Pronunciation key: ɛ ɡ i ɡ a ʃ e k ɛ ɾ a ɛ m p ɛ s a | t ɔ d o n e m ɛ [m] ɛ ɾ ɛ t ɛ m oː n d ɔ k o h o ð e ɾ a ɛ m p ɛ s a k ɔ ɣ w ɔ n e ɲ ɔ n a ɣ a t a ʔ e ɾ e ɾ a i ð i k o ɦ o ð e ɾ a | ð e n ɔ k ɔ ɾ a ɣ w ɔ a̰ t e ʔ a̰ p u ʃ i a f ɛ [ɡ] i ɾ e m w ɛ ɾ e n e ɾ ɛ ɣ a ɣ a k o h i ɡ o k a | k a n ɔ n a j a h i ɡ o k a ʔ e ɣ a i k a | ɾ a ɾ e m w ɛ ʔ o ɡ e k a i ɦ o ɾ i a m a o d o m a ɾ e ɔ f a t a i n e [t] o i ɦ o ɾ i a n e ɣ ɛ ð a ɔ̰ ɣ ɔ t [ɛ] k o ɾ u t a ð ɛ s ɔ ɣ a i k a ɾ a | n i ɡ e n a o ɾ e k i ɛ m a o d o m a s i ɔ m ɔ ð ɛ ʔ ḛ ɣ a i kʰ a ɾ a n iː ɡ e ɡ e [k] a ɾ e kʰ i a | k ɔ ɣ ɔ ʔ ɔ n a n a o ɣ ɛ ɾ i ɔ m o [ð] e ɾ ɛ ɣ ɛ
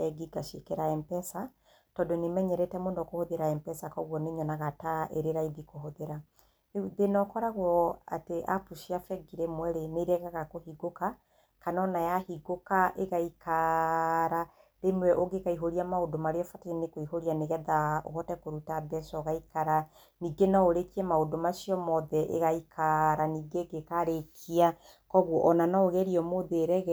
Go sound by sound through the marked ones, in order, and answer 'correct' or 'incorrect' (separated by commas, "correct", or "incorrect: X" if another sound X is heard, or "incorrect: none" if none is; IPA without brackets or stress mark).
incorrect: ɲ, correct, incorrect: k, correct, correct, correct